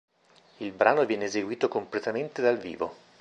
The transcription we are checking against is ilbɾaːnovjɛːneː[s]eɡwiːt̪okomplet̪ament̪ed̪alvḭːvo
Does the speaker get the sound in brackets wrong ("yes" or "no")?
yes